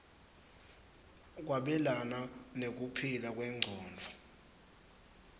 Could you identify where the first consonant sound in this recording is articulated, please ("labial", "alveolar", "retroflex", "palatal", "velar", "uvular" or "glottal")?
velar